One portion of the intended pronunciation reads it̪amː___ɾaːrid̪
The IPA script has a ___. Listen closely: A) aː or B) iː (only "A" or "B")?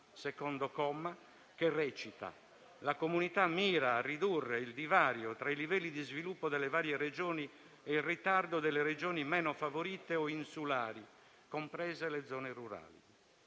B